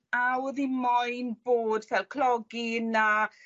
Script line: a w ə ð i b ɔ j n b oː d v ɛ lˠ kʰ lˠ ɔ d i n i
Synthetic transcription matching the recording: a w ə ð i m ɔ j n b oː d v ɛ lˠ kʰ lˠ ɔ ɡ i n a